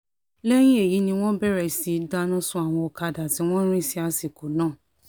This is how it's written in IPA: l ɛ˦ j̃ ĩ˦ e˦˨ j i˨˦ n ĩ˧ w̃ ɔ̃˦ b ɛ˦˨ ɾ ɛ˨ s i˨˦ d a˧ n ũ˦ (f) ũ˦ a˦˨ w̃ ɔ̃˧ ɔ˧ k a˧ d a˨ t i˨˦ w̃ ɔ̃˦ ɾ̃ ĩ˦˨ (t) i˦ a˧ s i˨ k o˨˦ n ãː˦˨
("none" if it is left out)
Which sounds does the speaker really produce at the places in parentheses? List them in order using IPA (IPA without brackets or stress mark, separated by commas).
s, s